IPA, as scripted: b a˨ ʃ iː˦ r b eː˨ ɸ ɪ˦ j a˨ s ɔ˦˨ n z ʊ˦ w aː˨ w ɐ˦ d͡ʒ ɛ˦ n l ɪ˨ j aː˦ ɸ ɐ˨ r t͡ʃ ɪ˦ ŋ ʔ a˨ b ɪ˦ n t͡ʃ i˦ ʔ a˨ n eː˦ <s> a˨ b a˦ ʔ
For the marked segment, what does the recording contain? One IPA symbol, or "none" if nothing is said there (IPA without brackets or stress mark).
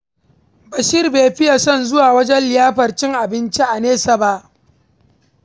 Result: s